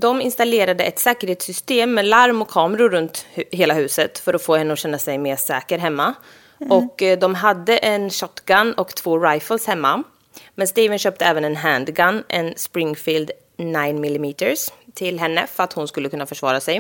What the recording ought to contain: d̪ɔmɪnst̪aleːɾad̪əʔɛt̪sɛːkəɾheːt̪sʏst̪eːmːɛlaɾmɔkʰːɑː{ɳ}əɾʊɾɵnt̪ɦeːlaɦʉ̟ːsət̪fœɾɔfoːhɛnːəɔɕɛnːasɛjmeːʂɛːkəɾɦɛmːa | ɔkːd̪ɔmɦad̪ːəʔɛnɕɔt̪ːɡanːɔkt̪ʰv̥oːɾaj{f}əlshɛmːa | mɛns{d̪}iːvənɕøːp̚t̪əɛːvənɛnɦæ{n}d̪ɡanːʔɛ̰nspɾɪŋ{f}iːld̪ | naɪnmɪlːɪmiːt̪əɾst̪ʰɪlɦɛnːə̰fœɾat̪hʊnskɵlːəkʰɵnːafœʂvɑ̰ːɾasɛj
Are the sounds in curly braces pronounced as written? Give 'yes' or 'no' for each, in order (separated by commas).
no, yes, no, yes, yes